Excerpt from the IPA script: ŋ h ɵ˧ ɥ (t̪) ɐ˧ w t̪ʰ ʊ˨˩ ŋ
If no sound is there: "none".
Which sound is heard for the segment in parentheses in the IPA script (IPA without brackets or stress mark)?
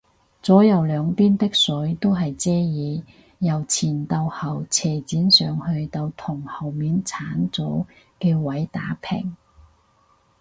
t̪